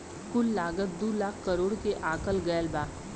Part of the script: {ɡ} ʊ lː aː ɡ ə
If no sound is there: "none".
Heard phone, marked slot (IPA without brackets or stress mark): k